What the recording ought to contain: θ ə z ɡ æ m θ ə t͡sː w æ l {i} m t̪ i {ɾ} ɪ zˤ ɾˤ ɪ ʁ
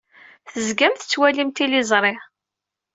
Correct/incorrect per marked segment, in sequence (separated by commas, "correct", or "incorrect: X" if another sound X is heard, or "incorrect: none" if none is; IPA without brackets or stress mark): correct, incorrect: l